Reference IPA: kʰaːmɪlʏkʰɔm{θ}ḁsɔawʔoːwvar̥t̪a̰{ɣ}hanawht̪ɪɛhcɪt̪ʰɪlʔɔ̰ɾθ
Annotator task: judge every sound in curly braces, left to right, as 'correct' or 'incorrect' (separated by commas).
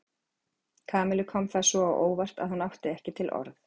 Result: correct, incorrect